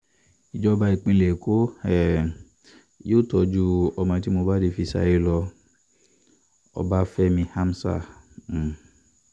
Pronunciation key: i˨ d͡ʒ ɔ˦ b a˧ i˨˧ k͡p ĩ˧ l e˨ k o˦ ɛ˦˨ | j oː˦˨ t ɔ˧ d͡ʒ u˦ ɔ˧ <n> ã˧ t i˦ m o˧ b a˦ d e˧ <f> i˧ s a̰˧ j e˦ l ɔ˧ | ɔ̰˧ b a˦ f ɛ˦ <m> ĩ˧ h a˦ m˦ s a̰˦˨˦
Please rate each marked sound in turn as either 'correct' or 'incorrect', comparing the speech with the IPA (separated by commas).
incorrect, correct, correct